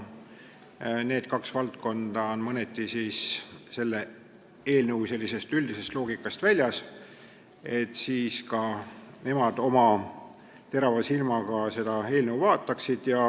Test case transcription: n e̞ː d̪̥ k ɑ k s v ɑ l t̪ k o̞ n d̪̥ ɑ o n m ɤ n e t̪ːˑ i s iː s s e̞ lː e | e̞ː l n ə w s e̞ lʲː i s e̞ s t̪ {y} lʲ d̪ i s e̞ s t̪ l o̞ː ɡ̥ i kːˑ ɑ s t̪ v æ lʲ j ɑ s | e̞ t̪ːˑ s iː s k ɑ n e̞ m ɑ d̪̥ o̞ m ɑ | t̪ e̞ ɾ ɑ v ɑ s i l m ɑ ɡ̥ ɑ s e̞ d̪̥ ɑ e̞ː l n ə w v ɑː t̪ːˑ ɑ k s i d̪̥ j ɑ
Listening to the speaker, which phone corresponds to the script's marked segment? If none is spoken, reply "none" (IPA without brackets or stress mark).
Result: y